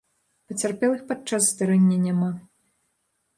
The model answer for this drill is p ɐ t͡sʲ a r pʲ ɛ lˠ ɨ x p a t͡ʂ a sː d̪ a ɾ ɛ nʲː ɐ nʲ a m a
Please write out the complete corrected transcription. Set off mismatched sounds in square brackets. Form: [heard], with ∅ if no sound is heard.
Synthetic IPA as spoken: p ɐ t͡sʲ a r pʲ ɛ lˠ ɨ x p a t͡ʂ a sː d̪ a ɾ ɛ nʲː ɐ nʲ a m a